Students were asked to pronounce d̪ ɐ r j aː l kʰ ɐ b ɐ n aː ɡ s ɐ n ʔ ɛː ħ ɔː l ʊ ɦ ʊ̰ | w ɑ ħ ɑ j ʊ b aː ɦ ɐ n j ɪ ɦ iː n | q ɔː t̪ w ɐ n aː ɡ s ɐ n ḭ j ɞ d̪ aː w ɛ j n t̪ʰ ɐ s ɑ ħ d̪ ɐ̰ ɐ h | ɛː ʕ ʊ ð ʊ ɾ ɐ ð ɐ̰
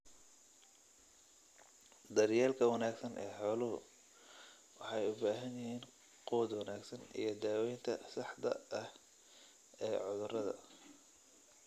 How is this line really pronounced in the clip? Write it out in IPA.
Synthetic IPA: d̪ ɐ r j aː l kʰ ɐ w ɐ n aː ɡ s ɐ n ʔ ɛː ħ ɔː l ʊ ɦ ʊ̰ | w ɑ ħ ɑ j ʊ b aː ɦ ɐ n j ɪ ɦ iː n | q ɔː d̪ w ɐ n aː ɡ s ɐ n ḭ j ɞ d̪ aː w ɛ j n t̪ʰ ɐ s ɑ ħ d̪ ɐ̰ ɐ h | ɛː ʕ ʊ ð ʊ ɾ ɐ ð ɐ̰